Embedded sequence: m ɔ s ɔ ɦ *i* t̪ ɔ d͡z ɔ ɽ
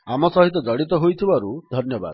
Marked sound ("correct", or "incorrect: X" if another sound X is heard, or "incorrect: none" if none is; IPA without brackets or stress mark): correct